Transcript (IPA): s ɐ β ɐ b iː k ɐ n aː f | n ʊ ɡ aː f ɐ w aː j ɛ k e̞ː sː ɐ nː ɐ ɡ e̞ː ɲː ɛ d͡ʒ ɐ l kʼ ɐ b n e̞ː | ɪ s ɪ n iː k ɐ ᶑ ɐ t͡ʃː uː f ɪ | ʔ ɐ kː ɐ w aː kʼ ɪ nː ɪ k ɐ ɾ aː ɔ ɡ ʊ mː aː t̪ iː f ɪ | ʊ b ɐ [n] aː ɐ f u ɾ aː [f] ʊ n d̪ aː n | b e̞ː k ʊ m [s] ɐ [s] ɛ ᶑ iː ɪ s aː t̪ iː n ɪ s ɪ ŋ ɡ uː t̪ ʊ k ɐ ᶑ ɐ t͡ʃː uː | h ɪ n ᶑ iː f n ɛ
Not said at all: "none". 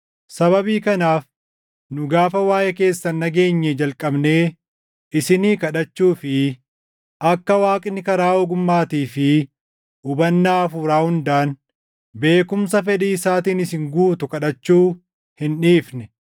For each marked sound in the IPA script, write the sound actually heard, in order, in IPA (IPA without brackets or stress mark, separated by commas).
nː, h, s, f